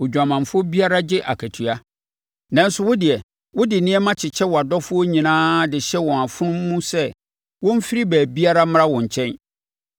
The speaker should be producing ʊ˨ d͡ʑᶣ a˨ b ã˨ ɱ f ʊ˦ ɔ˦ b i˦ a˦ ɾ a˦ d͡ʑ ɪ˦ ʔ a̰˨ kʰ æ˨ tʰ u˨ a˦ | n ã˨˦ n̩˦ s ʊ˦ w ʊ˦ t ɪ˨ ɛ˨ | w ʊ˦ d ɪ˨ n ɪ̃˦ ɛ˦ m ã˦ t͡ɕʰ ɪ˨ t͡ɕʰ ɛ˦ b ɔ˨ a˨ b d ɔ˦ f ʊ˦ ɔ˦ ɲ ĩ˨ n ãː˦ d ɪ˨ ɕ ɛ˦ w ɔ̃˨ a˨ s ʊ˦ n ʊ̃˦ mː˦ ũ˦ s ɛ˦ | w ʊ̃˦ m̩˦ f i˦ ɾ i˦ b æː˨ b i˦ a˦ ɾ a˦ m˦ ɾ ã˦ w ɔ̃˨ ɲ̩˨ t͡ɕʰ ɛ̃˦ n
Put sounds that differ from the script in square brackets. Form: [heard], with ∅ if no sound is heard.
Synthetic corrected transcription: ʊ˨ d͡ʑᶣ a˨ [m] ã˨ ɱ f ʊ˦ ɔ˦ b i˦ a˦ ɾ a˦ d͡ʑ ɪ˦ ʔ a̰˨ kʰ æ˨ tʰ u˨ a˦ | n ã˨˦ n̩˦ s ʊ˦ w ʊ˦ [d] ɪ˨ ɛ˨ | w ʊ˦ d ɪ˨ n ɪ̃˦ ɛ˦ m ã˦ t͡ɕʰ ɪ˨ t͡ɕʰ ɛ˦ [w] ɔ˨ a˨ [∅] d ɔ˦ f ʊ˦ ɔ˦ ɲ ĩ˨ n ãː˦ d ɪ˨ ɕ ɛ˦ w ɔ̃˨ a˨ [f] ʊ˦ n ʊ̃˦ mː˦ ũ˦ s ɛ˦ | w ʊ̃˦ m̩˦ f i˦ ɾ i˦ b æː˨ b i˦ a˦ ɾ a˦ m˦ ɾ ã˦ w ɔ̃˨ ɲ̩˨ t͡ɕʰ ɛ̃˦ n

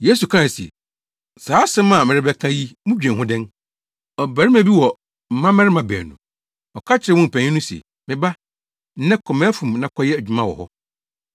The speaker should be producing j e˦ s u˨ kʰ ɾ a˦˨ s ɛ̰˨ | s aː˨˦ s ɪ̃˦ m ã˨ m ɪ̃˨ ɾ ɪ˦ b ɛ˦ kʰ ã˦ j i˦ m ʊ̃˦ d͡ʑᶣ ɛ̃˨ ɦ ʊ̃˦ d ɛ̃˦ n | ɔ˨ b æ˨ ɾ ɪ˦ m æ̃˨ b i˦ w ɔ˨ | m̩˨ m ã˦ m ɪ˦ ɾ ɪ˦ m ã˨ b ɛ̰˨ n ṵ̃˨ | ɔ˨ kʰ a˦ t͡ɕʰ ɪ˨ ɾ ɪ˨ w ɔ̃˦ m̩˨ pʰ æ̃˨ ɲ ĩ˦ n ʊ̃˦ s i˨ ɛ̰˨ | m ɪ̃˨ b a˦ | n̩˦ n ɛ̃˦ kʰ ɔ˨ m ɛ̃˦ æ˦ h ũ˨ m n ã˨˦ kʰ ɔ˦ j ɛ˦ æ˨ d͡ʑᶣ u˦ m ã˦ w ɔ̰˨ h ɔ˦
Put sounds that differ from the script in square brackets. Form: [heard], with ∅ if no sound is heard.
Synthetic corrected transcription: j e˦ s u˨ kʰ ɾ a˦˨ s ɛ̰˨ | s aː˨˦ s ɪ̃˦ m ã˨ m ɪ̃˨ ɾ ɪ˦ b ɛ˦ kʰ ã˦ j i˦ m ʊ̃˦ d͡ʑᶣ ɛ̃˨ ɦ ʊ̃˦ d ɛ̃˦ n | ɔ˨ b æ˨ ɾ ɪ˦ m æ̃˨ b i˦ w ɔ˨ | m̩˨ m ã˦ m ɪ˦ ɾ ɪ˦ m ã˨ b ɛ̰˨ n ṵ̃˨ | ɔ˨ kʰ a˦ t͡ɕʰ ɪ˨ ɾ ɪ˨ w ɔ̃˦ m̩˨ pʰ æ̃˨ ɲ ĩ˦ n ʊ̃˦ s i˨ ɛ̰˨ | m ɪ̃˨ b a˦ | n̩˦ n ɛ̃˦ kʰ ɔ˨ m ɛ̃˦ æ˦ [f] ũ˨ m n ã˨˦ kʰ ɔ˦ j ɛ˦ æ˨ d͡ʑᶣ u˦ m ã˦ w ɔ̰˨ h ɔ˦

